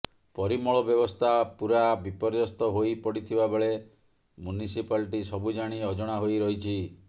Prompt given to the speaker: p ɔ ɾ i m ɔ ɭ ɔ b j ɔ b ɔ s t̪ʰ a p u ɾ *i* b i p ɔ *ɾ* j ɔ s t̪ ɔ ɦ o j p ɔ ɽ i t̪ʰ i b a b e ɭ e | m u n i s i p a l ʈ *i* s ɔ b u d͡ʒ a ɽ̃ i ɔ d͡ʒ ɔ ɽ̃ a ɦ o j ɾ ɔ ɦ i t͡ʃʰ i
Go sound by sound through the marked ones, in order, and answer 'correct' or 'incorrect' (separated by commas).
incorrect, correct, correct